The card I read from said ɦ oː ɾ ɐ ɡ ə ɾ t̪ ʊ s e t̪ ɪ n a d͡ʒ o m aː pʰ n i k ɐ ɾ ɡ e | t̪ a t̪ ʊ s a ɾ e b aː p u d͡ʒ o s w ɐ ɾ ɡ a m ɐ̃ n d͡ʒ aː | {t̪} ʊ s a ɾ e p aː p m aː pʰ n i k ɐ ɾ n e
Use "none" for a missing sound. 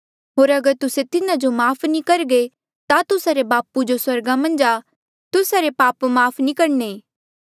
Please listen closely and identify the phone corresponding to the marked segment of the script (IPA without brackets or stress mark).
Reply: t̪